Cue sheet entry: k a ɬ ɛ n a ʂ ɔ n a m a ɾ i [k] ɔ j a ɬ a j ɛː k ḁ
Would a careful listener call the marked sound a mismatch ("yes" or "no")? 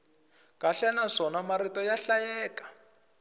yes